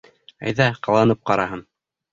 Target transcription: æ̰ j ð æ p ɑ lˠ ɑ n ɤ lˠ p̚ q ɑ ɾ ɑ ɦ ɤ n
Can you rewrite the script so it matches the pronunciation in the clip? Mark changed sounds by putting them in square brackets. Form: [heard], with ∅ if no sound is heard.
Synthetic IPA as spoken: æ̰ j ð æ [q] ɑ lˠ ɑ n ɤ [∅] p̚ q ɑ ɾ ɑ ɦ ɤ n